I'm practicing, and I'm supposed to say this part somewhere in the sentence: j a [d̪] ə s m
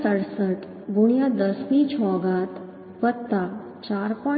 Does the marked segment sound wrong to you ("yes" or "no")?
no